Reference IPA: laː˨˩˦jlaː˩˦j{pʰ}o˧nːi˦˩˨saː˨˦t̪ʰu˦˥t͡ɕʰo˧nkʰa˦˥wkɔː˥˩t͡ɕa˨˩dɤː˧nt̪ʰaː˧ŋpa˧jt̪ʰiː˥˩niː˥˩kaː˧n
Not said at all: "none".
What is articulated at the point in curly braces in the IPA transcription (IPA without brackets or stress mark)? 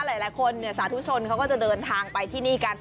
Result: kʰ